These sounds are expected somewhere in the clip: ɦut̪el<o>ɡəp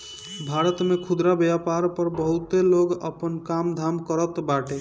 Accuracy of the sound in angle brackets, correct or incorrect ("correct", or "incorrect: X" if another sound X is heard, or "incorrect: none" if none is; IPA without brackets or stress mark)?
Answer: correct